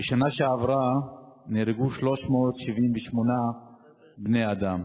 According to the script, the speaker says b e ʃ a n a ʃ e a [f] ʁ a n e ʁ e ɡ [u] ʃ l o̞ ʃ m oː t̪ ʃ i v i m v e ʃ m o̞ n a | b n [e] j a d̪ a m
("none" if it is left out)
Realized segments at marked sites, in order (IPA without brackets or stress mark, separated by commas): v, u, e